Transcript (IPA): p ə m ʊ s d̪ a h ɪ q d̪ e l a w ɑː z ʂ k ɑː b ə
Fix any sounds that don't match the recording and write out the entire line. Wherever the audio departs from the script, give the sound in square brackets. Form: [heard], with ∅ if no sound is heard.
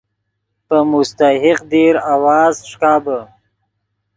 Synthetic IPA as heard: p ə m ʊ s [t̪] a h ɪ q d̪ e [ɾ] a w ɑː z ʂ k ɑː b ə